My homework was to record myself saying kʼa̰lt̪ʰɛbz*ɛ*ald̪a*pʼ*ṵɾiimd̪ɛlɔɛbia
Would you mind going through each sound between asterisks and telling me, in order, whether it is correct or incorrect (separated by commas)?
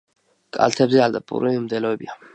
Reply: correct, correct